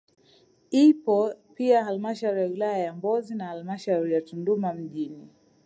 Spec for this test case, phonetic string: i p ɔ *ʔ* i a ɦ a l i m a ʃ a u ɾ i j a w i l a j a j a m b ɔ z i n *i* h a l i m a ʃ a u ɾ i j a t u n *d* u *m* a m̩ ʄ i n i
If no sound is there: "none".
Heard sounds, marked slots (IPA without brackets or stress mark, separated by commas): p, a, d, m